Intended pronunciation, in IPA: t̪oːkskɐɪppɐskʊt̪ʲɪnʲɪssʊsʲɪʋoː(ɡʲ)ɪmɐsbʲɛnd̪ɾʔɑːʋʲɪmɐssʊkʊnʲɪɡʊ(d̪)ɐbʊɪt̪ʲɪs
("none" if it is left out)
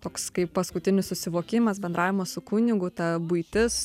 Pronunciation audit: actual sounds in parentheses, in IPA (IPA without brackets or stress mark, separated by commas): kʲ, t̪